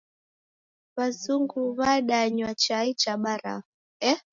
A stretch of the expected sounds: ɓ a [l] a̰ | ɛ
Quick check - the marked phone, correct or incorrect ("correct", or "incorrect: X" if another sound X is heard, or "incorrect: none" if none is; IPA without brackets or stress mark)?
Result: incorrect: ɾ